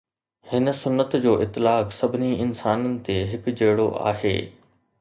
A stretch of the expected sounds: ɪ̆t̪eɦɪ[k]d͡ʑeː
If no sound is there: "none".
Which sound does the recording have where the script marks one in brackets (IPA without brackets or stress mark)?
k